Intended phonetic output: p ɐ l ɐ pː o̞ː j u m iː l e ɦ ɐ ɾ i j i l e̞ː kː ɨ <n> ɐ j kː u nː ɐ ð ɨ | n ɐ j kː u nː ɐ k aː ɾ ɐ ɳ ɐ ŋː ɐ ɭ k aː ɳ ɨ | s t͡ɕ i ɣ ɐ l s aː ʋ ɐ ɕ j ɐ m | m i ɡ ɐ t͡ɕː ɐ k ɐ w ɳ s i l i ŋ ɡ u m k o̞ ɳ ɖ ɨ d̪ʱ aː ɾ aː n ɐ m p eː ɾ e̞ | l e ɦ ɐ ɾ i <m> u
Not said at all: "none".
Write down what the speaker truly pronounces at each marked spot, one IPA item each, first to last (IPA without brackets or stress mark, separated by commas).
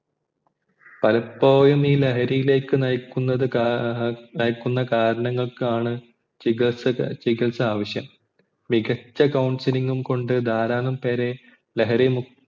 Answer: n, m